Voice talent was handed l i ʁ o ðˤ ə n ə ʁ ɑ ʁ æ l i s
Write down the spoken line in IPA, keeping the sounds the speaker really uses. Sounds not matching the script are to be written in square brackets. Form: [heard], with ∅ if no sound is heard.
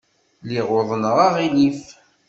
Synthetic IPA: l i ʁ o ðˤ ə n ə ʁ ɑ ʁ [i] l i [f]